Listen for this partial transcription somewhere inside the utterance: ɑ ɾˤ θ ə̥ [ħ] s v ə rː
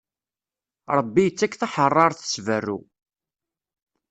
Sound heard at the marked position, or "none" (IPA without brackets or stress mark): none